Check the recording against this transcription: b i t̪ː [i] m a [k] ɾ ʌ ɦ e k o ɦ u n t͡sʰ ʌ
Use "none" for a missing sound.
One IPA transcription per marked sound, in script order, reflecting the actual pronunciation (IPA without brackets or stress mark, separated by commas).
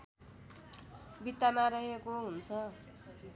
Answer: a, none